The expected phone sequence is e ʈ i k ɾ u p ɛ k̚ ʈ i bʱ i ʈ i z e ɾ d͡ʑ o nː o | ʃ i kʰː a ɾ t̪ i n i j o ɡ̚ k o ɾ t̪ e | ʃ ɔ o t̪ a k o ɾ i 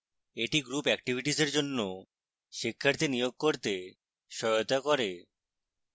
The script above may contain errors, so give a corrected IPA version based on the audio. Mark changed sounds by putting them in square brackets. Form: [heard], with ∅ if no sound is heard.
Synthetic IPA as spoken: e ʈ i [ɡ] ɾ u p ɛ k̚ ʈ i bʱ i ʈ i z e ɾ d͡ʑ o nː o | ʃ i kʰː a ɾ t̪ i n i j o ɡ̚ k o ɾ t̪ e | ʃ ɔ o t̪ a k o ɾ [e]